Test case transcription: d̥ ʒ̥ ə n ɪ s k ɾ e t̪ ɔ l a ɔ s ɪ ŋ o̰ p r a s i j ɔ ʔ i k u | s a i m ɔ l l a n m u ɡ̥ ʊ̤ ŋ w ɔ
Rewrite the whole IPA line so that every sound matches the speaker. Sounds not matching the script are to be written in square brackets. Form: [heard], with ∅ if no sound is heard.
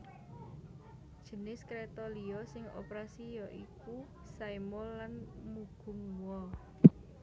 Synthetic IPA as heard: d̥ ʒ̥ ə n ɪ s k ɾ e t̪ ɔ l [i] ɔ s ɪ ŋ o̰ p [ɾ] a s i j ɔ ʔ i k u | s a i m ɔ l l a n m u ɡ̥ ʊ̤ ŋ w ɔ